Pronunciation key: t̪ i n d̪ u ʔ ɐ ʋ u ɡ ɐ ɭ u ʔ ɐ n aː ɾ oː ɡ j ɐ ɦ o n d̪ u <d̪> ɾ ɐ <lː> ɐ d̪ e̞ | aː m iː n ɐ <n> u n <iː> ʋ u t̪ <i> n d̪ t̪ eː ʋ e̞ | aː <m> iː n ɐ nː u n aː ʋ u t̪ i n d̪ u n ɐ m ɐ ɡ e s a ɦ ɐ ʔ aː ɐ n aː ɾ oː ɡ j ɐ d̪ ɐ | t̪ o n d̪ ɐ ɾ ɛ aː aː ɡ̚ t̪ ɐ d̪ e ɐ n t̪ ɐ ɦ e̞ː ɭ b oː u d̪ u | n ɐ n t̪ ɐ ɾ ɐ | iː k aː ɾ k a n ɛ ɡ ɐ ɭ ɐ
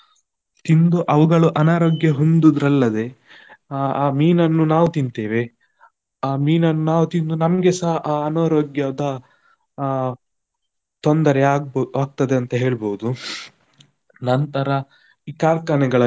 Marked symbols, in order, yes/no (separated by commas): yes, yes, no, no, yes, yes